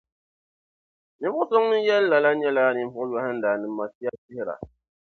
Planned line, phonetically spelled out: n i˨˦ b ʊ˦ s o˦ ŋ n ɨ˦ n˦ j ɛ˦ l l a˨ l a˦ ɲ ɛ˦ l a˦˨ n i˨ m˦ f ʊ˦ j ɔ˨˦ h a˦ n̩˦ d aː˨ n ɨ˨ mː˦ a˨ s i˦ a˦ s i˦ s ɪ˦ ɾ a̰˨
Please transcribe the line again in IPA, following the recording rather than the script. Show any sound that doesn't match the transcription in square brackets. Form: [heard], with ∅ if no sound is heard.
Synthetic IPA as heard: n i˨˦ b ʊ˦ s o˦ ŋ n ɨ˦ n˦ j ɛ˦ l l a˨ l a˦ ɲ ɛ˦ l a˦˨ n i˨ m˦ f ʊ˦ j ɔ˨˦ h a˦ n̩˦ d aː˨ n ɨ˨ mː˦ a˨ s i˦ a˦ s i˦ [h] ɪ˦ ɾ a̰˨